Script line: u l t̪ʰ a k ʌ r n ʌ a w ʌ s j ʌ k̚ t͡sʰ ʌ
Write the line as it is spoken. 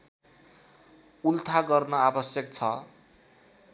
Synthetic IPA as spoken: u l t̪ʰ a ɡ ʌ r n ʌ a b ʌ s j ʌ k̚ t͡sʰ ʌ